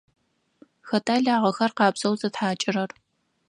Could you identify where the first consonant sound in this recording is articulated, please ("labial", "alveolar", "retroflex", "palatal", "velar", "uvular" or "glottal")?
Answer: velar